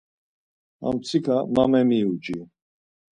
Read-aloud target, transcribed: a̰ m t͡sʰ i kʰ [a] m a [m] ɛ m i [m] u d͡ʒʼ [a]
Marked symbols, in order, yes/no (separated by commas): yes, yes, no, no